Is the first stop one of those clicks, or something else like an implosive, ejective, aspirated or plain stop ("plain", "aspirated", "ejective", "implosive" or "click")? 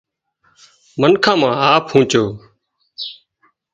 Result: aspirated